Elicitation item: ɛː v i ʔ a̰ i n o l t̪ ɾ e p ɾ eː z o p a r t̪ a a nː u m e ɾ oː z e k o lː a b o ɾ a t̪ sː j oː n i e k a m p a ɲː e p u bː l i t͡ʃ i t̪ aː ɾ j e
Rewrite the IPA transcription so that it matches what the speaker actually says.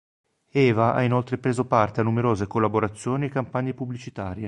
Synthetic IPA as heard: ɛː v a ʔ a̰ i n o l t̪ ɾ e p ɾ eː z o p a r t̪ e a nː u m e ɾ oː z e k o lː a b o ɾ a t̪ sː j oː n i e k a m p a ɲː e p u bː l i t͡ʃ i t̪ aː ɾ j e